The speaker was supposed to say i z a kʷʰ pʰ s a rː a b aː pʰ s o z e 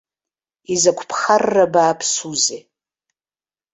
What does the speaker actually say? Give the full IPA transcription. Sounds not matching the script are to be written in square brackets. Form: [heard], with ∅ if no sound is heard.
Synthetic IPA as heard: i z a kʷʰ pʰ [χ] a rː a b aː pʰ s [u] z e